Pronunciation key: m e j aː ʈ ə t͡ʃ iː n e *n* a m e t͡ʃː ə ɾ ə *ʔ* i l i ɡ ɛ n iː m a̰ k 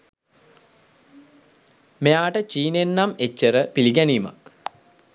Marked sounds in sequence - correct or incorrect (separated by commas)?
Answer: incorrect, incorrect